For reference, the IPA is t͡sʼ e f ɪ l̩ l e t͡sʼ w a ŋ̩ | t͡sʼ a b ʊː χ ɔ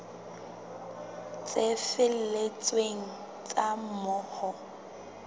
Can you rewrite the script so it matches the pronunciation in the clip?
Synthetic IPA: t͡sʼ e f ɪ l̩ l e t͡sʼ w e ŋ̩ | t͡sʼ a m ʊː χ ɔ